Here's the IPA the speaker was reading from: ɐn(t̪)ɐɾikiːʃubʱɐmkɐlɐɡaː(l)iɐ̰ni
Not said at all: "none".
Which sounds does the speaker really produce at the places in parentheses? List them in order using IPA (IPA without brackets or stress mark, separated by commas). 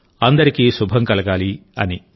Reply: d̪, l